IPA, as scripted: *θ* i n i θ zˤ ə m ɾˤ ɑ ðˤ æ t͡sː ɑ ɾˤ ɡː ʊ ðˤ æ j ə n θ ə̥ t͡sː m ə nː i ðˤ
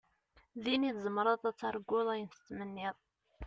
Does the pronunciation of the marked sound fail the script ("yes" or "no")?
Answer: yes